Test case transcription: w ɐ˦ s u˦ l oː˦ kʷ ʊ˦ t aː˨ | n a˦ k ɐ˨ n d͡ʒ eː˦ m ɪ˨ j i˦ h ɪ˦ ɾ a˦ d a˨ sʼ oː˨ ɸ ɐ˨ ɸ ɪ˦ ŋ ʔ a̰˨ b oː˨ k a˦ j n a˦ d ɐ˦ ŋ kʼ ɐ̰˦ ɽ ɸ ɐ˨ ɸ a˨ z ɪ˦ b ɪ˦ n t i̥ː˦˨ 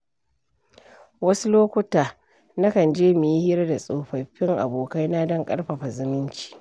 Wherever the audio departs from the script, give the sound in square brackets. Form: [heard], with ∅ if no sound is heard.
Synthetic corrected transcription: w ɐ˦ s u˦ l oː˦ kʷ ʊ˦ t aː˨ | n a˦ k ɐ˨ n d͡ʒ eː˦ m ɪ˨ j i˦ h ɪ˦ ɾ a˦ d a˨ sʼ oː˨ ɸ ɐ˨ ɸ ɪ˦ ŋ ʔ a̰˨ b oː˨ k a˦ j n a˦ d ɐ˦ ŋ kʼ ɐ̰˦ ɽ ɸ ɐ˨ ɸ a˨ z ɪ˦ [m] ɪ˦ n [t͡ʃ] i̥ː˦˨